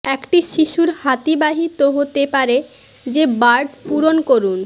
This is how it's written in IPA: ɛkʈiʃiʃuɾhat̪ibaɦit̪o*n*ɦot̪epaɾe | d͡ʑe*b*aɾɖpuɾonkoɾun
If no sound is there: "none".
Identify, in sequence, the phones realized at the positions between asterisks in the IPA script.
none, b

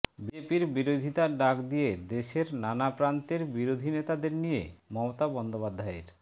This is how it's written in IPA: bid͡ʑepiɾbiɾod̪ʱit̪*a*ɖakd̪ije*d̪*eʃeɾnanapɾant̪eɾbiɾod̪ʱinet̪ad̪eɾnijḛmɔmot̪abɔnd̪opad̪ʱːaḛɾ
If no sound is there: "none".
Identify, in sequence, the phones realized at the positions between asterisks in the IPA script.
a, d̪

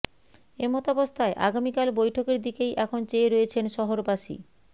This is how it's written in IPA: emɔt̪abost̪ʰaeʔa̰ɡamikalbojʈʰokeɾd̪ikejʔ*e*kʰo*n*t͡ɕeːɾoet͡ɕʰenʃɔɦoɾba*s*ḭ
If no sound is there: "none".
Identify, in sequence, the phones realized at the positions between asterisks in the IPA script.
ɛ, n, ʃ

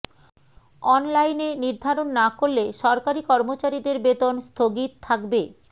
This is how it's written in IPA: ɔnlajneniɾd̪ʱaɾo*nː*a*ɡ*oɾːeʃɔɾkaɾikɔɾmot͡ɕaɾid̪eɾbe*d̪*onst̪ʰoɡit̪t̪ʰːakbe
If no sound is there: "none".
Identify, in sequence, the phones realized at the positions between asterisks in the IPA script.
nː, k, t̪

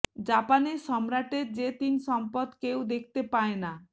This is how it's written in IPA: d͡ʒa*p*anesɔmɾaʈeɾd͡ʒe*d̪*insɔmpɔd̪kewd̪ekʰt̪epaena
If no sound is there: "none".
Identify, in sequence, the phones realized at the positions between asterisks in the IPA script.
p, t̪

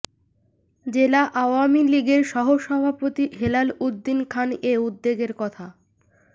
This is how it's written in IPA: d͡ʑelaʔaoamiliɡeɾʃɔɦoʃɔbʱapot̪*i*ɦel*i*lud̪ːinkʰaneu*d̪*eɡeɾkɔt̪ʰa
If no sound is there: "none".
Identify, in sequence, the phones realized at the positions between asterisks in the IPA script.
i, a, d̪ː

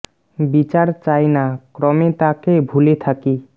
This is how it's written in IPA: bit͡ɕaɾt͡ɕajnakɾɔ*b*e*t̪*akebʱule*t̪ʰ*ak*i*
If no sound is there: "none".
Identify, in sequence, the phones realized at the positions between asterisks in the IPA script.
m, t̪, t̪ʰ, i

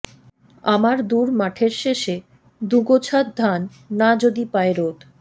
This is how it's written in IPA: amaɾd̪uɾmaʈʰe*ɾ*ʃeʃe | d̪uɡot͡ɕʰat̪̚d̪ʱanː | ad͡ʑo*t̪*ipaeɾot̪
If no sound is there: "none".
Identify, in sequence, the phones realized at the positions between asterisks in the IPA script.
ɾ, d̪

